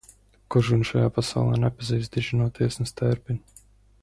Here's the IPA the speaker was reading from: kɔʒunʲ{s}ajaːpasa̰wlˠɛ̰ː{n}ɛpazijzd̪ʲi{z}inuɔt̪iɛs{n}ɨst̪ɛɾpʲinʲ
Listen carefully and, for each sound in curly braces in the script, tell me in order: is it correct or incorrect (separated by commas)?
incorrect, correct, incorrect, correct